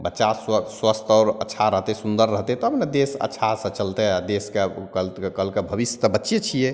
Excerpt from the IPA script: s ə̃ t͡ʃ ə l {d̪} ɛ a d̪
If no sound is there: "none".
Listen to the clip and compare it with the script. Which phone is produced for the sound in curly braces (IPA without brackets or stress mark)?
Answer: t̪